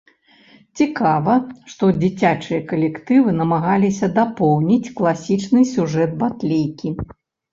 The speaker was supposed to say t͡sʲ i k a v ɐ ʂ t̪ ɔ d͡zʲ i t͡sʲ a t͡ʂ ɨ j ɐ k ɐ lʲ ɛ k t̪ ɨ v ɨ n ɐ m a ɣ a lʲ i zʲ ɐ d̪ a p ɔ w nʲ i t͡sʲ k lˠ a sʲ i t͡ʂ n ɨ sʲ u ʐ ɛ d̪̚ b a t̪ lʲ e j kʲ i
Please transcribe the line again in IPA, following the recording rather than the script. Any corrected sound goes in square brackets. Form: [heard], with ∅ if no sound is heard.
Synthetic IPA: t͡sʲ i k a v ɐ ʂ t̪ ɔ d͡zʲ i t͡sʲ a t͡ʂ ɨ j ɐ k ɐ lʲ ɛ k t̪ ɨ v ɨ n ɐ m a ɣ a lʲ i [sʲ] ɐ d̪ a p ɔ w nʲ i t͡sʲ k lˠ a sʲ i t͡ʂ n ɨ sʲ u ʐ ɛ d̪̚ b a t̪ lʲ e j kʲ i